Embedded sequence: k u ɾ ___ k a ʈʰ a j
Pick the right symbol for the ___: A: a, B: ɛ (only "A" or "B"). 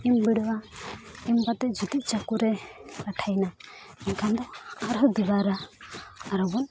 B